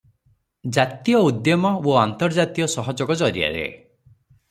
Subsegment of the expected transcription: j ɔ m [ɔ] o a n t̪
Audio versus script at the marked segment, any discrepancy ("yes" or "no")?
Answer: no